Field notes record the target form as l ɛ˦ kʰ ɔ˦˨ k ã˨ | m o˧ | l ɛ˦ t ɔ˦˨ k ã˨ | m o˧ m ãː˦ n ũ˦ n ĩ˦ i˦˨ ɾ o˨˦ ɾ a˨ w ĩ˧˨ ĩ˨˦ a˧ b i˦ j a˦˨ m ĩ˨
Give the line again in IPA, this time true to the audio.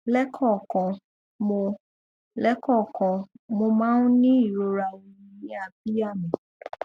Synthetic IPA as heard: l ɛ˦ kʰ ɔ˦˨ k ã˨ | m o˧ | l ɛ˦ k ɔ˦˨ k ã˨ | m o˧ m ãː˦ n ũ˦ n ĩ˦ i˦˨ ɾ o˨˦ ɾ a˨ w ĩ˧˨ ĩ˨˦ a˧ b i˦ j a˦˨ m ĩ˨

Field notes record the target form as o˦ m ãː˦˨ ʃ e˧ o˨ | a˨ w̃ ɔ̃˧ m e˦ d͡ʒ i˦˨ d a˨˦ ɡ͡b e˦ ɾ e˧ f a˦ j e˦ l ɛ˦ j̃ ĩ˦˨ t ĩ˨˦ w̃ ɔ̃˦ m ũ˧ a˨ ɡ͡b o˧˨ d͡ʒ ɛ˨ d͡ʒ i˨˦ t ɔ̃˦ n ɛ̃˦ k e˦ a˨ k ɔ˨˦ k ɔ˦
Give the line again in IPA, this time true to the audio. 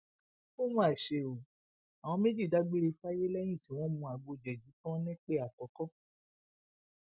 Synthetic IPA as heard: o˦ m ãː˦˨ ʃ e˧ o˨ | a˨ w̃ ɔ̃˧ m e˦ d͡ʒ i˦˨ d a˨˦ ɡ͡b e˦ ɾ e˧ f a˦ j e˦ l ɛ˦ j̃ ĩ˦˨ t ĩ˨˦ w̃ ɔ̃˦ m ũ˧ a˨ ɡ͡b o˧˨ d͡ʒ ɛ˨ d͡ʒ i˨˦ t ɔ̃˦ n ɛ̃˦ k͡p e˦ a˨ k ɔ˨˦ k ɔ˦

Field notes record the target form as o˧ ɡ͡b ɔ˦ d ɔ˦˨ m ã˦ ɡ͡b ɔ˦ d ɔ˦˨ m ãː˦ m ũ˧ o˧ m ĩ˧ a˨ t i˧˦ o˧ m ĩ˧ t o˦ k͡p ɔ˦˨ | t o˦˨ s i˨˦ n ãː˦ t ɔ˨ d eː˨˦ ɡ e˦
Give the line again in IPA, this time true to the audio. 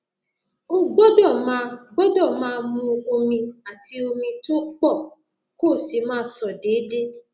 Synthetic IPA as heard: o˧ ɡ͡b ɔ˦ d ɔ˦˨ m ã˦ ɡ͡b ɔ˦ d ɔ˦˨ m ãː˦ m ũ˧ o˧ m ĩ˧ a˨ t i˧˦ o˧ m ĩ˧ t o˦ k͡p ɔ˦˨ | k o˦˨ s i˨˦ m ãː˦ t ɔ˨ d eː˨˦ d e˦

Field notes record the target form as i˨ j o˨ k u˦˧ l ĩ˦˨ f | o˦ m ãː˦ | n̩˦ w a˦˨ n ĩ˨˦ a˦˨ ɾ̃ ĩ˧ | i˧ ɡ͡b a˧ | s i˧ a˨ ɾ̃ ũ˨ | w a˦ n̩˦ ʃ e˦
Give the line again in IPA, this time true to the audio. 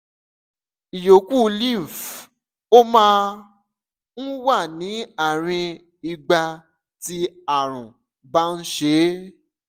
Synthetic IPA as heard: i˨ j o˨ k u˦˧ l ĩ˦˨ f | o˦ m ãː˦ | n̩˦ w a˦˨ n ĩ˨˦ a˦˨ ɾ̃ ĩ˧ | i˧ ɡ͡b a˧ | t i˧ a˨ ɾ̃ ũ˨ | b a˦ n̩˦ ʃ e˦

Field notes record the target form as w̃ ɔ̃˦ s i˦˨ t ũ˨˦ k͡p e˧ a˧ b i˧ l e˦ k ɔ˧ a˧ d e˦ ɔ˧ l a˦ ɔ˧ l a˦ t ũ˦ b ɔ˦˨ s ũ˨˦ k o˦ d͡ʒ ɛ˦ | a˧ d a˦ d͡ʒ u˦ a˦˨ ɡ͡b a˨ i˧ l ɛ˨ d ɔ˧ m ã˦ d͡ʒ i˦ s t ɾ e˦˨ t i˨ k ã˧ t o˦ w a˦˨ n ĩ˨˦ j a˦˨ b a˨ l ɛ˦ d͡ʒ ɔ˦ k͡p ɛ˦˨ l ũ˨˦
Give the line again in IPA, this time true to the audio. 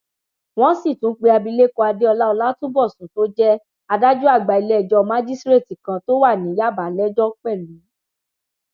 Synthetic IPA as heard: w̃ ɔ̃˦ s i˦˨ t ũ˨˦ k͡p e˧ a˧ b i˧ l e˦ k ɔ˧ a˧ d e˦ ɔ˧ l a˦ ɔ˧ l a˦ t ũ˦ b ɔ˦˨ s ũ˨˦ t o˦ d͡ʒ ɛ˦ | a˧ d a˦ d͡ʒ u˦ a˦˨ ɡ͡b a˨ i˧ l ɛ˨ d͡ʒ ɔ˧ m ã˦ d͡ʒ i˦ s t ɾ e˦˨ t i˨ k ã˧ t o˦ w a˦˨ n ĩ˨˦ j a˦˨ b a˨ l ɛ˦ d͡ʒ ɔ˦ k͡p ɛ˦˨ l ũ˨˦

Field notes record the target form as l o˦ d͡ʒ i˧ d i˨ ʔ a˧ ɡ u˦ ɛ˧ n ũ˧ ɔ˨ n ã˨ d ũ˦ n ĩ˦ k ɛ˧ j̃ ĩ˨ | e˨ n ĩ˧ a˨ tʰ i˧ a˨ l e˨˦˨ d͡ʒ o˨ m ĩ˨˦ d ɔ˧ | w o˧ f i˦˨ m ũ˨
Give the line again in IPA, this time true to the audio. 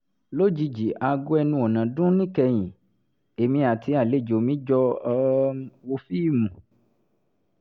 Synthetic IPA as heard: l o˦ d͡ʒ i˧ d͡ʒ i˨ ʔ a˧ ɡ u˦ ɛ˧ n ũ˧ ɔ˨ n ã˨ d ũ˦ n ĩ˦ k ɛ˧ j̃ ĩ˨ | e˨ m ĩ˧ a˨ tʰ i˧ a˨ l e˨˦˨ d͡ʒ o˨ m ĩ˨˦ d͡ʒ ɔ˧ | w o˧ f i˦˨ m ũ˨

